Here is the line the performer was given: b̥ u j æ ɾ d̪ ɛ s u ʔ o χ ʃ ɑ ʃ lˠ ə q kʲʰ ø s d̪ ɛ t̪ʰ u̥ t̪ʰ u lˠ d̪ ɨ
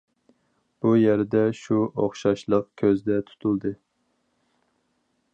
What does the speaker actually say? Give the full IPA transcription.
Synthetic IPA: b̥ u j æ ɾ d̪ ɛ ʃ u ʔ o χ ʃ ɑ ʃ lˠ ə q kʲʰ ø z d̪ ɛ t̪ʰ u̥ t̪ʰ u lˠ d̪ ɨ